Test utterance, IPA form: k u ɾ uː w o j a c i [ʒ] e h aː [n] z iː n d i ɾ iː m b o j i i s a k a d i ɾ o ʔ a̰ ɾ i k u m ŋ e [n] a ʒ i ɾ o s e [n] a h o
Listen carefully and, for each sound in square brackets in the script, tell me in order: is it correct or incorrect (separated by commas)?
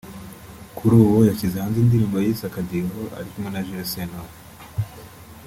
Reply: incorrect, correct, correct, correct